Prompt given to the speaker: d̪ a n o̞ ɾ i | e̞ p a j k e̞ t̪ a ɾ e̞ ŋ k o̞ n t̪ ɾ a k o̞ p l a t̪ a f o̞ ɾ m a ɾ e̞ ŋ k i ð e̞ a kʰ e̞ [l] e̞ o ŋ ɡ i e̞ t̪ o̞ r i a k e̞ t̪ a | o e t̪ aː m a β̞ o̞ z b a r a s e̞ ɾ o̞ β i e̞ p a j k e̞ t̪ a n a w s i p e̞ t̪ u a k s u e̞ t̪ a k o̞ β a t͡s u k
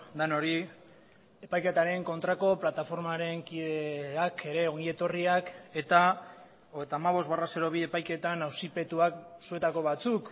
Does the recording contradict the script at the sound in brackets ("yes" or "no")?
yes